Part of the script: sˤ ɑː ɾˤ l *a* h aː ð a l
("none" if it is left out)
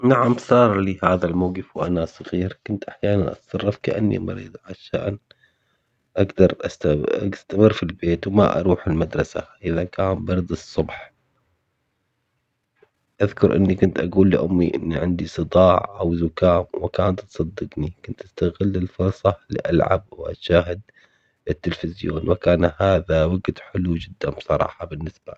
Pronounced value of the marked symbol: i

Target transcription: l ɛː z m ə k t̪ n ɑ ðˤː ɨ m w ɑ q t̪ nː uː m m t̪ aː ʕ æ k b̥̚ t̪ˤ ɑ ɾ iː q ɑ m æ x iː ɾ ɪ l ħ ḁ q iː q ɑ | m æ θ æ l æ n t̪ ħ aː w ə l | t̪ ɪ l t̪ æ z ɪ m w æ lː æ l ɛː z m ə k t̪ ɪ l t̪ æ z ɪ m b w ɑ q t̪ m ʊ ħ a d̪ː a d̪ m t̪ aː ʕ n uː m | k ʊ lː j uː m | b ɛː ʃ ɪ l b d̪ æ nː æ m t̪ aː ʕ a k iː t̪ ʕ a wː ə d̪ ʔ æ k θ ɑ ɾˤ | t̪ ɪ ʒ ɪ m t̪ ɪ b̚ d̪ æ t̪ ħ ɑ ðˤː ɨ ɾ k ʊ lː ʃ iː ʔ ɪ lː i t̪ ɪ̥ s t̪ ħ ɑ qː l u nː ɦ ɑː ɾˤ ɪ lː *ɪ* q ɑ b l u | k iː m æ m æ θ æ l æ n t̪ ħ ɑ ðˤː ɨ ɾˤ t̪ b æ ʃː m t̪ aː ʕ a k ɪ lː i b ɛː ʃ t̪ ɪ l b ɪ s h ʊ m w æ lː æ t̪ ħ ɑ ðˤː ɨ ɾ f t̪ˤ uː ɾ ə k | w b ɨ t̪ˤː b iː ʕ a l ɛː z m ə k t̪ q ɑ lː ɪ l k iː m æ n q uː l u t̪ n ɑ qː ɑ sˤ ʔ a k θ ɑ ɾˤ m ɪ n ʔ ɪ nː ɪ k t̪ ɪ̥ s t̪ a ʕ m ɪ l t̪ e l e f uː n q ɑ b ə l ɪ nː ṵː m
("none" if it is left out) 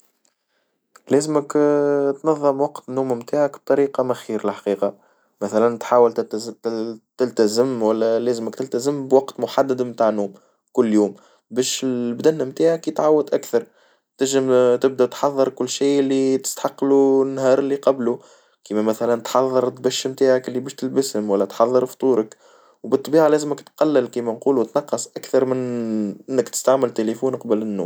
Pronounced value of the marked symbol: i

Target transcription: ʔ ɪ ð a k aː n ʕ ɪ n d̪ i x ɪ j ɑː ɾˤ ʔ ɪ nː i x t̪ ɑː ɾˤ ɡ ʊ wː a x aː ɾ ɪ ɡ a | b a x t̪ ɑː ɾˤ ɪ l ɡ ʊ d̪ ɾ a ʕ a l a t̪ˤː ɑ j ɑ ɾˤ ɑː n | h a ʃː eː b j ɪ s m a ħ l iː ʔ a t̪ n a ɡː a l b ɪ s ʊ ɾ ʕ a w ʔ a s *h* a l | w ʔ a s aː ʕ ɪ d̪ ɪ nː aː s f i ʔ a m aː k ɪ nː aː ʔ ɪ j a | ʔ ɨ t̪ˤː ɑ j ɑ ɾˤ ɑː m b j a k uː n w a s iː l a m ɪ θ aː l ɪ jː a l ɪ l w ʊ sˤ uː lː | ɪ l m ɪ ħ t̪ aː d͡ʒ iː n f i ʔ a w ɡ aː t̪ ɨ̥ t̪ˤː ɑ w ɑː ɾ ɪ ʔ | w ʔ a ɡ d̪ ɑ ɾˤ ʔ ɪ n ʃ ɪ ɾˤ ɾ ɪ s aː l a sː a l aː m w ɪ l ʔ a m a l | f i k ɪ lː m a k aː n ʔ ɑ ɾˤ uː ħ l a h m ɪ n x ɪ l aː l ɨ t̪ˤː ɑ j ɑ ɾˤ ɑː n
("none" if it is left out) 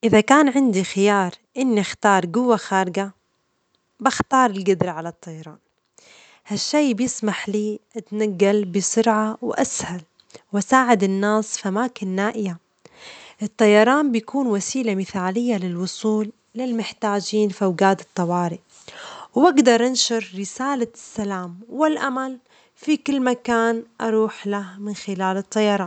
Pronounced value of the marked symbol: h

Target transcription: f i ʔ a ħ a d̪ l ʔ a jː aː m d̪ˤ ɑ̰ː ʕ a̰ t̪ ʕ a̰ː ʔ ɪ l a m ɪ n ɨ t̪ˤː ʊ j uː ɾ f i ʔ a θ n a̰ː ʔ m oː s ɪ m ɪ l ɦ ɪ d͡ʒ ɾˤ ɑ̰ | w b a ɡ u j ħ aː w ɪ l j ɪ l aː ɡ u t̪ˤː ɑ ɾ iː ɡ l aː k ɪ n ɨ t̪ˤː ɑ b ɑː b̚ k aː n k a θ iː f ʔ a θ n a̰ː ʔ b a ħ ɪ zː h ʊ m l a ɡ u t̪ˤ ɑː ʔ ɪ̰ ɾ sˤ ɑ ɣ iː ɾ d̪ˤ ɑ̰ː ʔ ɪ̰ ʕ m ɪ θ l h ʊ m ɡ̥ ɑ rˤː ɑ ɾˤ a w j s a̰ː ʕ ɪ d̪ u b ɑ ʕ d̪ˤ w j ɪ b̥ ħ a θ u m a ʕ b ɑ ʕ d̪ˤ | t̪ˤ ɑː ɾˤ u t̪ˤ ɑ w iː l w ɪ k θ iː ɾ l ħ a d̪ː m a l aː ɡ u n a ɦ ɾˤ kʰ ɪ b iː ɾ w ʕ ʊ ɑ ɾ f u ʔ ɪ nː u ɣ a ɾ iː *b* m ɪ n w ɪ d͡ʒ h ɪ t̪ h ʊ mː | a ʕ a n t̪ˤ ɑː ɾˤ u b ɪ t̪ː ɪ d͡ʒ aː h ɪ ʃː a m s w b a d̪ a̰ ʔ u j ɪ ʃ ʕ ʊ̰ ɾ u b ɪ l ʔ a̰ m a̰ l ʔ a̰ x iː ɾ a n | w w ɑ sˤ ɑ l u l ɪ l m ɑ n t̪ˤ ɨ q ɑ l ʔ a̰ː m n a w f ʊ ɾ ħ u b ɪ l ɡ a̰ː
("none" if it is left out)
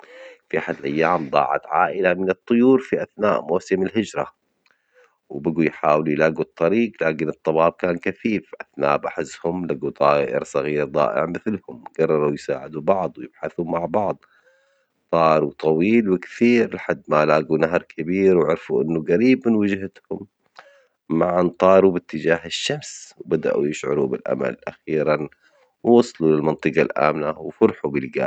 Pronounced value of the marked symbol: b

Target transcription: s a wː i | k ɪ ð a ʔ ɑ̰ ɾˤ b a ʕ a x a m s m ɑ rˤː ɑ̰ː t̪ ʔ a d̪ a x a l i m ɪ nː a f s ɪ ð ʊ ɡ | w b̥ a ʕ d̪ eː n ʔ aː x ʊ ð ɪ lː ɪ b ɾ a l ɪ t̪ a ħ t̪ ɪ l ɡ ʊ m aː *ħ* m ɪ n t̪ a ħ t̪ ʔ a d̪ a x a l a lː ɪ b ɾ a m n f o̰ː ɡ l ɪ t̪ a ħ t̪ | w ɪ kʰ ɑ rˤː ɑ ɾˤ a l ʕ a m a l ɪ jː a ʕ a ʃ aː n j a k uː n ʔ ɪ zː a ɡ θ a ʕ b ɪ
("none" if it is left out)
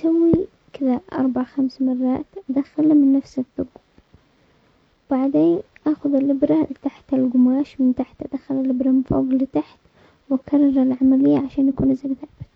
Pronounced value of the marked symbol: ʃ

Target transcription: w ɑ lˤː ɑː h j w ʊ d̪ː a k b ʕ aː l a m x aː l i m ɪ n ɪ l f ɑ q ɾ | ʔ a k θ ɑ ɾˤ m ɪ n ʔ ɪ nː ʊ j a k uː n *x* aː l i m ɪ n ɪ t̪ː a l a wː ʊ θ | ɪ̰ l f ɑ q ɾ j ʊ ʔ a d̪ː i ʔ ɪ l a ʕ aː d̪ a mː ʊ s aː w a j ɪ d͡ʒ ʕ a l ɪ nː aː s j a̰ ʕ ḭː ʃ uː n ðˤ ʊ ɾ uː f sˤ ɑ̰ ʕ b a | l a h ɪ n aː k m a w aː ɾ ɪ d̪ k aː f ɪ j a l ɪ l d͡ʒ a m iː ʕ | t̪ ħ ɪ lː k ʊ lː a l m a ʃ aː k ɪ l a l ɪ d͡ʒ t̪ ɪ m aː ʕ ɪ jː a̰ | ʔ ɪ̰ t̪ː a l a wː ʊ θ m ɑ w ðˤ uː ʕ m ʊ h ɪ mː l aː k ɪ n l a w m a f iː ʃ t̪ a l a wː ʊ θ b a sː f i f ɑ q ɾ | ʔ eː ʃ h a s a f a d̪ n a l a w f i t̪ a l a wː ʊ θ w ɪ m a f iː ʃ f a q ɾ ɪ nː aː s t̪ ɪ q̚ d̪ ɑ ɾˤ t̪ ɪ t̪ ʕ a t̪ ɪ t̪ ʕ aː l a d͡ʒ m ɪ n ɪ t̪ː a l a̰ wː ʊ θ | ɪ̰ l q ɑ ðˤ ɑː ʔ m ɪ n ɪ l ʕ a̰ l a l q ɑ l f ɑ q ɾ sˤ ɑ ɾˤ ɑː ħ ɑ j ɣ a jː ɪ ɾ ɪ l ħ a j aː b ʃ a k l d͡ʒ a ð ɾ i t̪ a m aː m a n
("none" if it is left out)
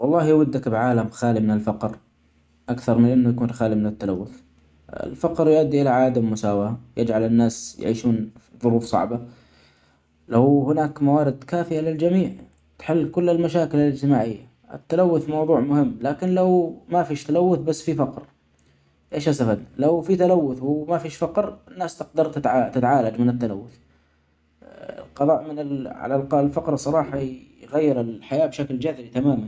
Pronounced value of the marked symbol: x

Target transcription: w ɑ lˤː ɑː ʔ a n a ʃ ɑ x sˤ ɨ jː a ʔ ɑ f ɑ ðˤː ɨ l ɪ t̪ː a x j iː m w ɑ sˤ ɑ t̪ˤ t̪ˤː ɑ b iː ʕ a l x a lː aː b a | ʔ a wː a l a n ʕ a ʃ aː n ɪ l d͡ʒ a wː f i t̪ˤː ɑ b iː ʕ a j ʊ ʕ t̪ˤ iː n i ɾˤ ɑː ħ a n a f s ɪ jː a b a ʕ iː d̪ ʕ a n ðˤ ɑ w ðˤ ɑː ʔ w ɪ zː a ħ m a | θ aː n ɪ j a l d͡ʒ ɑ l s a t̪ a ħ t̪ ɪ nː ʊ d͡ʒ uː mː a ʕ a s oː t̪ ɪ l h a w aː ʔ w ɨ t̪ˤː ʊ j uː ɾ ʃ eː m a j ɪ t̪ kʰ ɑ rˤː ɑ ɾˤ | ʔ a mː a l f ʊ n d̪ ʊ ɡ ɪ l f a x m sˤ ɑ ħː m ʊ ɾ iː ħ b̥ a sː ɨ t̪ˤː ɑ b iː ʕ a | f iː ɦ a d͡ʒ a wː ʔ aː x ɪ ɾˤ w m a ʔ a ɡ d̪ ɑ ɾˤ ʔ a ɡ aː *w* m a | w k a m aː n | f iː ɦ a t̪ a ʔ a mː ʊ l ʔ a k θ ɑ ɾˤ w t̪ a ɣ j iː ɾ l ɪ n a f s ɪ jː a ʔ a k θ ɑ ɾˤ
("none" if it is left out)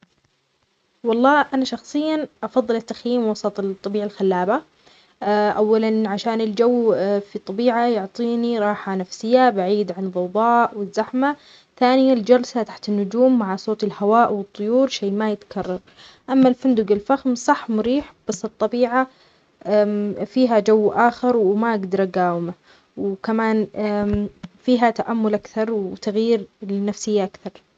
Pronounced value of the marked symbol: w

